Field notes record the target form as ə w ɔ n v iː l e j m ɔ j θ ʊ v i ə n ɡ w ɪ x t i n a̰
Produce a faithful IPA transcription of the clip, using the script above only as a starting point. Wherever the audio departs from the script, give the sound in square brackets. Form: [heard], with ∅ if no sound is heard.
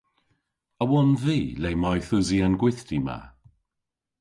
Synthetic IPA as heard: ə w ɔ n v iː l e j m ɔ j θ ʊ [z] i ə n ɡ w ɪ [θ] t i [m] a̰